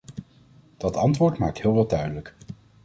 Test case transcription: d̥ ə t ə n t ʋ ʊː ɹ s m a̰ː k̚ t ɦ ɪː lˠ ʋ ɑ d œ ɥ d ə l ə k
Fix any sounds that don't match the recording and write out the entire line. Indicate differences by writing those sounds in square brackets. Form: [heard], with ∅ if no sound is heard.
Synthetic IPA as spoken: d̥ [ɑ] t [ɑ] n t ʋ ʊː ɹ [t] m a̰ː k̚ t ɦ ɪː lˠ ʋ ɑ d œ ɥ d ə l ə k